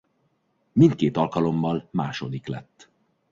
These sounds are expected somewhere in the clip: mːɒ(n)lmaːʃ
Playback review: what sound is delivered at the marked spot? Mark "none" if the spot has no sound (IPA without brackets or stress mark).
none